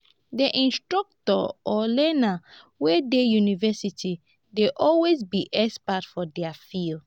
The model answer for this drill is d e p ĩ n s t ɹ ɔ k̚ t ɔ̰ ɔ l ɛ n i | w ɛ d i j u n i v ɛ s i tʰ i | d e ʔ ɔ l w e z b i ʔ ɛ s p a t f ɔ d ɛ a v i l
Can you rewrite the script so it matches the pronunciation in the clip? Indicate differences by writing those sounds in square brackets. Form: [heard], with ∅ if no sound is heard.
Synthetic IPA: d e [ʔ] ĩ n s t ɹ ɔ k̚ t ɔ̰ ɔ l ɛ n [a] | w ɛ d [e] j u n i v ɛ s i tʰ i | d e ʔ ɔ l w e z b i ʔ ɛ s p a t f ɔ d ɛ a [f] i l

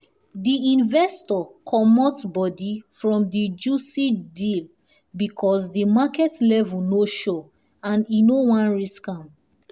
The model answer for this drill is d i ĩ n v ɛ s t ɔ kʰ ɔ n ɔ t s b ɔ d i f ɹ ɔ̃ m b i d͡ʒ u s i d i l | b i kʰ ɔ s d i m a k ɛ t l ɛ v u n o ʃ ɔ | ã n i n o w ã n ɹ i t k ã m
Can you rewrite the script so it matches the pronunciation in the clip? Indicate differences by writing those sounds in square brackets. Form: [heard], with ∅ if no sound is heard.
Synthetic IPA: d i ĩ n v ɛ s t ɔ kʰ ɔ [m] ɔ t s b ɔ d i f ɹ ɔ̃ m [d] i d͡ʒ u s i d i l | b i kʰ ɔ s d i m a k ɛ t l ɛ v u n o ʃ ɔ | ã n i n o w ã n ɹ i [s] k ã m

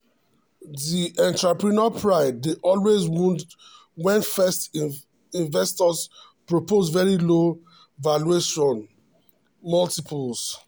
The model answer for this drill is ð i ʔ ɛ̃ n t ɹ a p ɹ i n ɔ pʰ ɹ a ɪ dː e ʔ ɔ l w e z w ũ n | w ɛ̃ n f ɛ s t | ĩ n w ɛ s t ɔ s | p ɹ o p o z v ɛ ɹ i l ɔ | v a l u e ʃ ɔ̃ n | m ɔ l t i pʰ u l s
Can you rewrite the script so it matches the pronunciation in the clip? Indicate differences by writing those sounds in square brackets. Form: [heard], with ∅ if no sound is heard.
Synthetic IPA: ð i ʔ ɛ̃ n t ɹ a p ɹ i n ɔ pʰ ɹ a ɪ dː e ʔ ɔ l w e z w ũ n | w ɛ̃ n f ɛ s t | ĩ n [v] ɛ s t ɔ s | p ɹ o p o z v ɛ ɹ i l [o] | v a l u e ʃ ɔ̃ n | m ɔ l t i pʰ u l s

